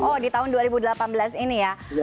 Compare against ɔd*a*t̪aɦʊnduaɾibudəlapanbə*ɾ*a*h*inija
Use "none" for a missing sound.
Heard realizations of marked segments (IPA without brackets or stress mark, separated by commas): i, l, s